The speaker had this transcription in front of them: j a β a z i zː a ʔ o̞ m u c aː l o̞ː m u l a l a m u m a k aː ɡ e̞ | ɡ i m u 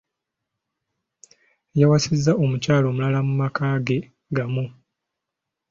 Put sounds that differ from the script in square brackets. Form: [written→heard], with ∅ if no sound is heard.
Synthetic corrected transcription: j a [β→w] a [z→s] i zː a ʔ o̞ m u c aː l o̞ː m u l a l a m u m a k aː ɡ e̞ | ɡ [i→a] m u